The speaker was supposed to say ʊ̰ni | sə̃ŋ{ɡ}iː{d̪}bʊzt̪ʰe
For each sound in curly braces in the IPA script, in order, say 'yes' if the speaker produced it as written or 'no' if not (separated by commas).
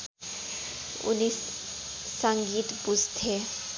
yes, no